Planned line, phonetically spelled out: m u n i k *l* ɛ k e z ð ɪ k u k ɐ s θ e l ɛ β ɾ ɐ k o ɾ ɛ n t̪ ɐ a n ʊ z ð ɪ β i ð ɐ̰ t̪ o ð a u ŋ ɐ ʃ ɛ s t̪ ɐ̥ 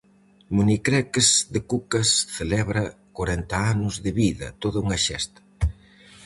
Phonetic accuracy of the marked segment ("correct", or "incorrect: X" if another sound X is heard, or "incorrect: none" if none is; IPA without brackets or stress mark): incorrect: ɾ